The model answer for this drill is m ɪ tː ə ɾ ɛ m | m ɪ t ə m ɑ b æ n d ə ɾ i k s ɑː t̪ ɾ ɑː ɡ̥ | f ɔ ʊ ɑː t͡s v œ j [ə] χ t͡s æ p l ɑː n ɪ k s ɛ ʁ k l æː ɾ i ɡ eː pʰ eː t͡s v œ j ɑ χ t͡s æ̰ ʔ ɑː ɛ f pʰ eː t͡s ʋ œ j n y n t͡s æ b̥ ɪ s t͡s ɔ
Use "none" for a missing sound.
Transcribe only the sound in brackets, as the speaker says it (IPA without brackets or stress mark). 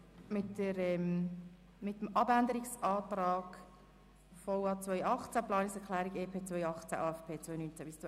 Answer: ɑ